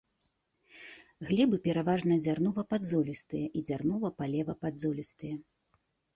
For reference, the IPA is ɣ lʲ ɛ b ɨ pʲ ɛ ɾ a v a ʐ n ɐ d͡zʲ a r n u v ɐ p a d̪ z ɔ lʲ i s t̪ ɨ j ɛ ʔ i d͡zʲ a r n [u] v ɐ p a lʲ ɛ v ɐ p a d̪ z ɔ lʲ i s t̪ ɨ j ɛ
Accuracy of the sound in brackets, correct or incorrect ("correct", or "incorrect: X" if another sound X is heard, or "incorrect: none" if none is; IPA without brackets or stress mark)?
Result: correct